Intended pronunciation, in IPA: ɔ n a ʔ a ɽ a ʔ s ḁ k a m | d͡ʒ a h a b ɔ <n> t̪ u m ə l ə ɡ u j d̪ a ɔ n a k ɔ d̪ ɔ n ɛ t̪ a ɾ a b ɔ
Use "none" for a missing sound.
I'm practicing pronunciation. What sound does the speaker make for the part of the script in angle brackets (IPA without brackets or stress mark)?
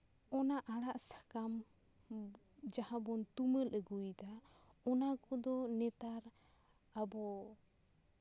n